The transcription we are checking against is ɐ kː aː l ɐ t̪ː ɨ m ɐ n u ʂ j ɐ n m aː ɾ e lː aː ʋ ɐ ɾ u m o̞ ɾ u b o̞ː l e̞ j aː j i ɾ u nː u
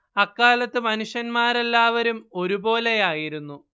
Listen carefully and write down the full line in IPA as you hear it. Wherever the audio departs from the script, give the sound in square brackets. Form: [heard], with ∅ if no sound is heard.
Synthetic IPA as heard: ɐ kː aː l ɐ t̪ː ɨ m ɐ n u ʂ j ɐ n m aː ɾ e lː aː ʋ ɐ ɾ u m o̞ ɾ u b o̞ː l e̞ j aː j i ɾ u nː u